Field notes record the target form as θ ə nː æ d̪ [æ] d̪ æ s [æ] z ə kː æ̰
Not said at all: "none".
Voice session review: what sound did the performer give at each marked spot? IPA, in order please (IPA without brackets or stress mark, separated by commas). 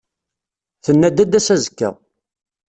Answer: æ, æ